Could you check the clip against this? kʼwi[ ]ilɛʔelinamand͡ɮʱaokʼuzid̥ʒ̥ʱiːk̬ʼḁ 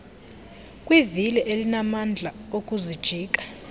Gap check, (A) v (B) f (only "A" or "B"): A